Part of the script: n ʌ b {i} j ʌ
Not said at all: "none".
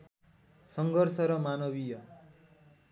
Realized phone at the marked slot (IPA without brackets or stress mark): i